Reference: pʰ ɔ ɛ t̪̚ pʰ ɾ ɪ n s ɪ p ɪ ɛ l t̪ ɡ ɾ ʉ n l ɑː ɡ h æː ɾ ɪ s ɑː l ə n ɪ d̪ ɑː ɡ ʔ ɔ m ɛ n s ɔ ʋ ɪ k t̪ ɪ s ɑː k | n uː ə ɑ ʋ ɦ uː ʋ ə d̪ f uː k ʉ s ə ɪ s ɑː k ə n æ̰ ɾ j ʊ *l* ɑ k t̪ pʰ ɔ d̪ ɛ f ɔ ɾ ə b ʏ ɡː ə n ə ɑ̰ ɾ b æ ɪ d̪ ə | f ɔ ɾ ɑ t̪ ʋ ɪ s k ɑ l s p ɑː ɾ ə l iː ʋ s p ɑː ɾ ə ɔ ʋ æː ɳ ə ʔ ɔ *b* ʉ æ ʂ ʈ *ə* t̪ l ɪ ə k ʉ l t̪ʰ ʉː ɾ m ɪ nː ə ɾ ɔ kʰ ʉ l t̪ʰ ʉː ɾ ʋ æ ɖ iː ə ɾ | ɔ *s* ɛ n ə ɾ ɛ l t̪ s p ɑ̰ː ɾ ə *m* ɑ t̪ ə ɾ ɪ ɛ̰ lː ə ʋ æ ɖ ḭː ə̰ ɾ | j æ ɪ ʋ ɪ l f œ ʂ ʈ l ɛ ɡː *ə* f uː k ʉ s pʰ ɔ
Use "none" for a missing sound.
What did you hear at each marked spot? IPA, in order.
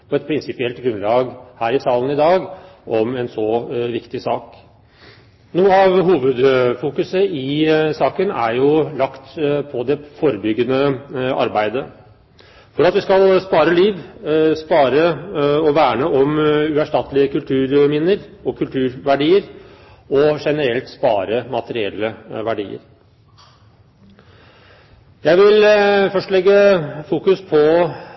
l, m, ɑ, ʂ, m, ə

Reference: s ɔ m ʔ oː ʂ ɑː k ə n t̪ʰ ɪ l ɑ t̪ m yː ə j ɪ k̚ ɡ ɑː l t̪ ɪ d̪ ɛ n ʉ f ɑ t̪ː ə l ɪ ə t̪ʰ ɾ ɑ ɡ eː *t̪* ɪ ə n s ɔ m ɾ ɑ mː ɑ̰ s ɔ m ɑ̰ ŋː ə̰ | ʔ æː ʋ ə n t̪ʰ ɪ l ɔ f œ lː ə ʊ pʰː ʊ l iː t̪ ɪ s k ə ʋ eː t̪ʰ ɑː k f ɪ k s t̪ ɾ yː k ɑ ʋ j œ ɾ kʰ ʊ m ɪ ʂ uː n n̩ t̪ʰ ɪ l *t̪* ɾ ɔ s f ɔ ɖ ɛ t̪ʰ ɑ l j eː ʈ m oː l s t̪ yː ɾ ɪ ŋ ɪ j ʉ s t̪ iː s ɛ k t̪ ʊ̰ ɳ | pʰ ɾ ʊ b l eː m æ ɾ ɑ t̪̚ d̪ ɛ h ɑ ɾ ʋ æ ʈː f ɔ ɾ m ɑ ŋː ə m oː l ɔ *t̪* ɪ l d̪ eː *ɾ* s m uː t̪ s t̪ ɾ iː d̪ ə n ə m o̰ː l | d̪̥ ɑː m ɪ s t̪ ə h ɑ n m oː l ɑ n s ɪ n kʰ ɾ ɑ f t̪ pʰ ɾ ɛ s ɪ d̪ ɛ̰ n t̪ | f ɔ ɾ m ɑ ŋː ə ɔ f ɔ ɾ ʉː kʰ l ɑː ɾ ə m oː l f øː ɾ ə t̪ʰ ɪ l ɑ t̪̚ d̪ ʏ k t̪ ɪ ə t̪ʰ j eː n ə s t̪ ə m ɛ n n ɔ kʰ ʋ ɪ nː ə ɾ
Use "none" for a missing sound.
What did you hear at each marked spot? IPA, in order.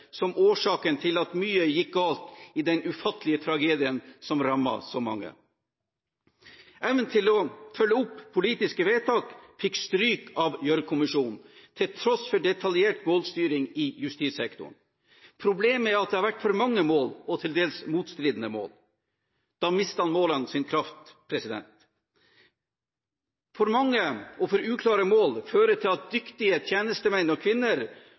d̪, t̪ʰ, t̪ʰ, l

